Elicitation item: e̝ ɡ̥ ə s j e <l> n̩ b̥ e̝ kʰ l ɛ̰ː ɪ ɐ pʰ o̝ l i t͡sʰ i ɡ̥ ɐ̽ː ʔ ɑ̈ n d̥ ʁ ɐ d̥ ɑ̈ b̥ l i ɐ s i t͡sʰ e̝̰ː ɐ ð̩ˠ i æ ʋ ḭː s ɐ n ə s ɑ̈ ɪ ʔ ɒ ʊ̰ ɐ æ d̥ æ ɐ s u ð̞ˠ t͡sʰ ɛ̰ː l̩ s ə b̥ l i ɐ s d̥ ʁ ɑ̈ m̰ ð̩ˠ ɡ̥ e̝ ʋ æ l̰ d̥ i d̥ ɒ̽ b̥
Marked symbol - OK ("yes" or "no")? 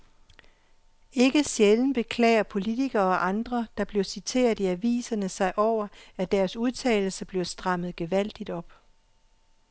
yes